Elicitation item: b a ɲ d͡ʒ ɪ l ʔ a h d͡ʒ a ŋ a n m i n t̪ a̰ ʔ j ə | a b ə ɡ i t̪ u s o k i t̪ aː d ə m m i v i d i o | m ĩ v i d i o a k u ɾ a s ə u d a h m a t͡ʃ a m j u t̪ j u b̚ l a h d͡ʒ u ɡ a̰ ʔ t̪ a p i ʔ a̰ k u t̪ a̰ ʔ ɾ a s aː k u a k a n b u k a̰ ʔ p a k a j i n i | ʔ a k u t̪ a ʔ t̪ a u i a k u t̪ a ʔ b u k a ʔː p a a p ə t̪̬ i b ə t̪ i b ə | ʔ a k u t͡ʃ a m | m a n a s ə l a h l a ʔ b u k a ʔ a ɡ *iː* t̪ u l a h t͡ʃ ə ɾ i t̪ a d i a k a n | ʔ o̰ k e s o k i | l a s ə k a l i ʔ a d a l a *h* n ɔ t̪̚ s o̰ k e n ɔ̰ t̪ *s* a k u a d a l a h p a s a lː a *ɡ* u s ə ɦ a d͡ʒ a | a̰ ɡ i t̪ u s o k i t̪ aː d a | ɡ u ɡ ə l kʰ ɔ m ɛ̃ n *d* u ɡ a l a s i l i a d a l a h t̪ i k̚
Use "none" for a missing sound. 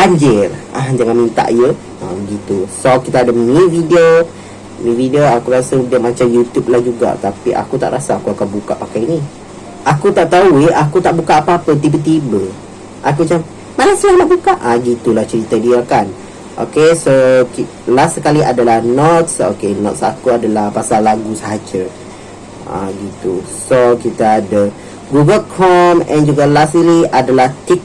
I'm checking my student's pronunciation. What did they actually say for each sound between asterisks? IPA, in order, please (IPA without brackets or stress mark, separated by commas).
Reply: i, h, s, ɡ, d͡ʒ